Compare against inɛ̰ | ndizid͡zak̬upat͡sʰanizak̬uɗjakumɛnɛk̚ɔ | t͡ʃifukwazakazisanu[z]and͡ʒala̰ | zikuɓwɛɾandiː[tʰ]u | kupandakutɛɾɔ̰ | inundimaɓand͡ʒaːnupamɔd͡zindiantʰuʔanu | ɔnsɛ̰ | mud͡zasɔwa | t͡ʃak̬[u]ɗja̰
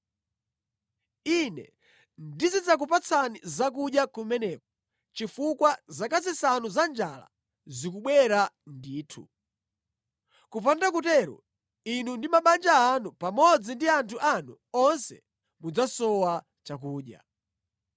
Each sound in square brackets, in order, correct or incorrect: correct, correct, incorrect: uː

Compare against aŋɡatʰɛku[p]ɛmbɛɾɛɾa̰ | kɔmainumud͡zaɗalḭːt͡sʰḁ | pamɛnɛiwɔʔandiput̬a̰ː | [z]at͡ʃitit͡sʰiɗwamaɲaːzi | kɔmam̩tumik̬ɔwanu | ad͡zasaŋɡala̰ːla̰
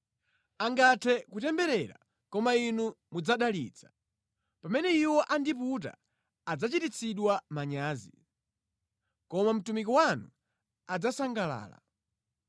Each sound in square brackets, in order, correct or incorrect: incorrect: t, incorrect: d͡z

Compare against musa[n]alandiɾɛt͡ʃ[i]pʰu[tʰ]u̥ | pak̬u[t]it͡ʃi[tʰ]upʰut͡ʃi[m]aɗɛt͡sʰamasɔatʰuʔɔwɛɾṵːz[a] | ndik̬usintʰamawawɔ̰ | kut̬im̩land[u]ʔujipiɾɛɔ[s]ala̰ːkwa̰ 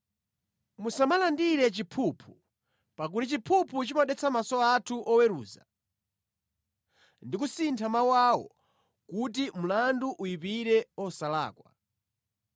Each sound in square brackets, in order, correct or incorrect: incorrect: m, correct, incorrect: pʰ, correct, incorrect: pʰ, correct, correct, correct, correct

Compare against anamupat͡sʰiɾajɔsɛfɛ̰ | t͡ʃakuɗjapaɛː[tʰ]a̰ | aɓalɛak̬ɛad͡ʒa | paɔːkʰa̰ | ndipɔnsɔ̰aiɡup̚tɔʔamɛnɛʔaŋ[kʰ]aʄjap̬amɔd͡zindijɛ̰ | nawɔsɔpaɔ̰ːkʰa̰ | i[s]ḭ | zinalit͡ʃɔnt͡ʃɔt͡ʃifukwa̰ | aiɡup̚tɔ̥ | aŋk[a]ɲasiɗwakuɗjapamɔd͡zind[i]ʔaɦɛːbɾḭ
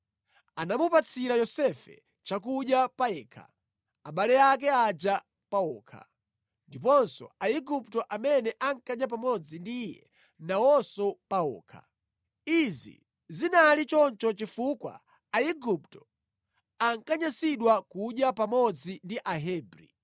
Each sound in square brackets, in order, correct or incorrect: incorrect: kʰ, incorrect: k, incorrect: z, correct, correct

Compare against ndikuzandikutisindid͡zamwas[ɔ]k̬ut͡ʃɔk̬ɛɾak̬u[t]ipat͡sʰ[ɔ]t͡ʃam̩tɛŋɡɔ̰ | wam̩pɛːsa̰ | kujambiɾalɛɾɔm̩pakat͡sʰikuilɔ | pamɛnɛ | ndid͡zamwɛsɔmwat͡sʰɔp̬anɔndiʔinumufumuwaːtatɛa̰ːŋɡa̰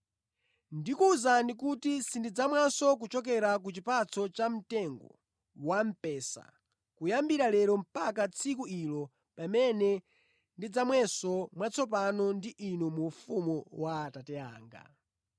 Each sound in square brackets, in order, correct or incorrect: correct, incorrect: t͡ʃ, correct

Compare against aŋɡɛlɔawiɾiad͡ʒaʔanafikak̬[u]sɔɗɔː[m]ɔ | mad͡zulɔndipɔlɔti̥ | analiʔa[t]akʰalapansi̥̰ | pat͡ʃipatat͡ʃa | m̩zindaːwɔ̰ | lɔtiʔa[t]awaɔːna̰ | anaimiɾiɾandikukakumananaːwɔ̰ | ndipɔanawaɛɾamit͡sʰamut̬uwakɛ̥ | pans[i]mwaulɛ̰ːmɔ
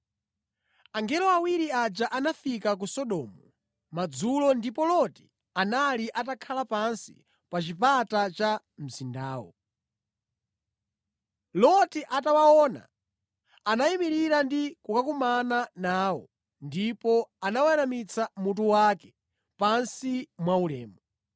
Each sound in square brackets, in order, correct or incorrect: correct, correct, correct, correct, correct

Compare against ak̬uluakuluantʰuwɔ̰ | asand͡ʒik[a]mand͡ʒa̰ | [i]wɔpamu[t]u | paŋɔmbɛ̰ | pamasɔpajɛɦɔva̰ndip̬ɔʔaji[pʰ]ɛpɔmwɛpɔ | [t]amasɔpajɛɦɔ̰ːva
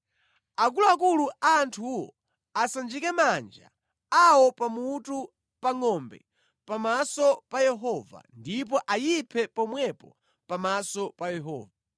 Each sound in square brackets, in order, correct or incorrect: incorrect: ɛ, incorrect: a, correct, correct, incorrect: p

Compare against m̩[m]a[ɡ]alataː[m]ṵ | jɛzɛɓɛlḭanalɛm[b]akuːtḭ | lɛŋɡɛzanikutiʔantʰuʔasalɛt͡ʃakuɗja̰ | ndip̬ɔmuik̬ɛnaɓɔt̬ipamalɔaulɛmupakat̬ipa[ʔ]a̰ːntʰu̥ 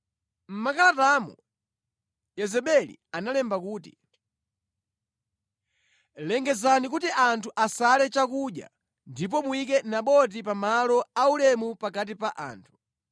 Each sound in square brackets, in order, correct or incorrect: correct, incorrect: k, correct, correct, correct

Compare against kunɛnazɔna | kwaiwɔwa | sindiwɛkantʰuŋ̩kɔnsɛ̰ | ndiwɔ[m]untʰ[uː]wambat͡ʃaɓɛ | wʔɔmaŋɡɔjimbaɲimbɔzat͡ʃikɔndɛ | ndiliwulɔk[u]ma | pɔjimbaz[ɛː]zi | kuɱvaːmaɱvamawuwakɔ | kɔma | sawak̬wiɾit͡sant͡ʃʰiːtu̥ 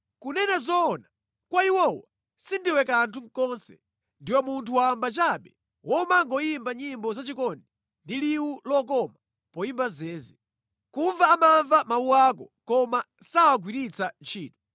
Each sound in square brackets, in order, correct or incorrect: correct, incorrect: u, incorrect: ɔ, correct

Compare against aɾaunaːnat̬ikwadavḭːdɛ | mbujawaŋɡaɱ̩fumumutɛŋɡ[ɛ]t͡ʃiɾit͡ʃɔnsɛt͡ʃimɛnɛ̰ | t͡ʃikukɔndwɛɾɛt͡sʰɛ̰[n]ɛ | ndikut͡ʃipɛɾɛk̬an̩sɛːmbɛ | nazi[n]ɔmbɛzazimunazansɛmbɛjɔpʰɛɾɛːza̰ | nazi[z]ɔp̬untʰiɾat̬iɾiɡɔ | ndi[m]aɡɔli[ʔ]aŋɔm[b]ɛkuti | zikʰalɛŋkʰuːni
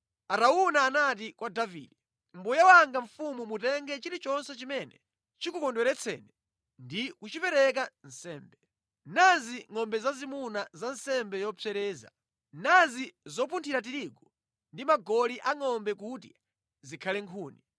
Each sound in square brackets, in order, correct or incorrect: correct, correct, incorrect: ŋ, correct, correct, correct, correct

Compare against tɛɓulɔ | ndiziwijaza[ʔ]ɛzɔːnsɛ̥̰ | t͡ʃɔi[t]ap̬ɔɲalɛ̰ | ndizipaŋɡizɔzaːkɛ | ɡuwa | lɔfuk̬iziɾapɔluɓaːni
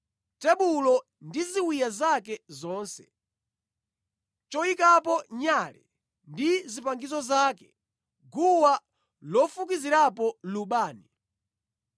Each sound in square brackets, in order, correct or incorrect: incorrect: k, incorrect: k

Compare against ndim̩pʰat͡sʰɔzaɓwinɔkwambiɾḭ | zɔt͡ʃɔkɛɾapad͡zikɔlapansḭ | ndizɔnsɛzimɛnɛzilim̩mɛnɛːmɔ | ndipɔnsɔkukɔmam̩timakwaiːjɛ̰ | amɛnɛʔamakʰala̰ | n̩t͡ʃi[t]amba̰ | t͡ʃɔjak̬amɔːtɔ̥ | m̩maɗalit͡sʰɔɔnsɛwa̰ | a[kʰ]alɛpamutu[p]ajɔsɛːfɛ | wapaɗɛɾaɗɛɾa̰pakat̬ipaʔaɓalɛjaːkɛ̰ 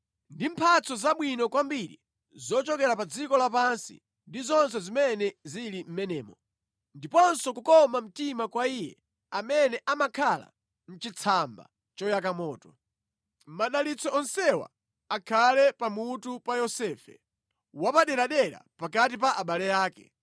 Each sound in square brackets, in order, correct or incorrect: incorrect: t͡sʰ, correct, correct

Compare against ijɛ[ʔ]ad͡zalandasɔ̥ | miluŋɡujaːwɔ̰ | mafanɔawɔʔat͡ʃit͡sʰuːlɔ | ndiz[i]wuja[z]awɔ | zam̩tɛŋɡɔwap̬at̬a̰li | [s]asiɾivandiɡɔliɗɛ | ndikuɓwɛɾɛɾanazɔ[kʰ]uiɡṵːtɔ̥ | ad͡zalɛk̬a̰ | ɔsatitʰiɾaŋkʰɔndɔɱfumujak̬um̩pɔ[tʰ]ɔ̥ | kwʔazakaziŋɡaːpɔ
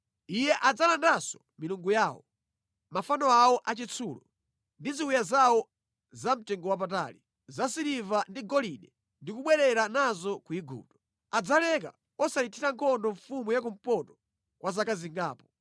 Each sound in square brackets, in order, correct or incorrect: correct, correct, correct, incorrect: z, incorrect: k, incorrect: t

